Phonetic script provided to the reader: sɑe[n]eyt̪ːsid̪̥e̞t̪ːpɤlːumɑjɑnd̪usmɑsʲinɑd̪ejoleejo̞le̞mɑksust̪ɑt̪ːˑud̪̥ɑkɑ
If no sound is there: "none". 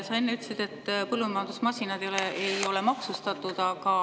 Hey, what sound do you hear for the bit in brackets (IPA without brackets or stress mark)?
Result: nː